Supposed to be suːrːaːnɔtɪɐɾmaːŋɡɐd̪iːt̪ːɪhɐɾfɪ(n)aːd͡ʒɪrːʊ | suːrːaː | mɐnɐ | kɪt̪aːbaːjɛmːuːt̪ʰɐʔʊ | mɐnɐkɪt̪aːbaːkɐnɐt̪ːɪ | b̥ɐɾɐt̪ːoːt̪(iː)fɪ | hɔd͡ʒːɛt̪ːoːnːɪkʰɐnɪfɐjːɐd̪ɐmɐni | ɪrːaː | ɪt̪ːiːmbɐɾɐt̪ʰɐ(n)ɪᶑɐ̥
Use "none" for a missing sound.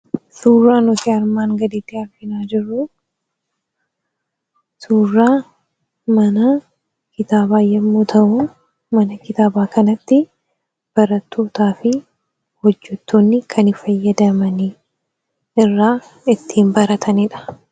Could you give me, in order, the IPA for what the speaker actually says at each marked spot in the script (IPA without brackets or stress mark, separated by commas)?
n, aː, n